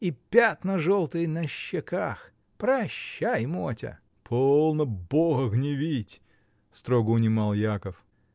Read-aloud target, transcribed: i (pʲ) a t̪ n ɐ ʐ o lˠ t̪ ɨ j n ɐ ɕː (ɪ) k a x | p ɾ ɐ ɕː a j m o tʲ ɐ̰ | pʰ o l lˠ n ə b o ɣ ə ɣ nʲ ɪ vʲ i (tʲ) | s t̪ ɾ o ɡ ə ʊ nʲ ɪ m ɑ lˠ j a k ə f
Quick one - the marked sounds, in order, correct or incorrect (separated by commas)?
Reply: correct, correct, correct